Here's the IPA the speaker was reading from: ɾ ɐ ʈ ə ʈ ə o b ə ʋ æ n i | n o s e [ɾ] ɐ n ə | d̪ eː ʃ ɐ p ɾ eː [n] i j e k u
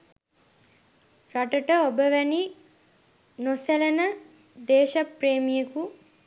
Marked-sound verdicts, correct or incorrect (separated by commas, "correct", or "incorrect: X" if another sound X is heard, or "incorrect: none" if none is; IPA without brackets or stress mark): incorrect: l, incorrect: m